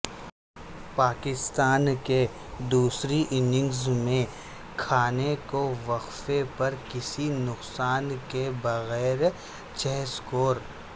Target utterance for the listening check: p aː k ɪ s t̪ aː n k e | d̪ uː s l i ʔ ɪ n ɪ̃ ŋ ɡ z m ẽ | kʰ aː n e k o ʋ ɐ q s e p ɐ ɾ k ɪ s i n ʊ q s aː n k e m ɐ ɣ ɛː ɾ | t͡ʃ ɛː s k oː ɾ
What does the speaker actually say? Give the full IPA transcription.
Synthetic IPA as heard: p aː k ɪ s t̪ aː n k e | d̪ uː s ɾ i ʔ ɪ n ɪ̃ ŋ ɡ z m ẽ | kʰ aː n e k o ʋ ɐ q f e p ɐ ɾ k ɪ s i n ʊ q s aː n k e b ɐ ɣ ɛː ɾ | t͡ʃ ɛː s k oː ɾ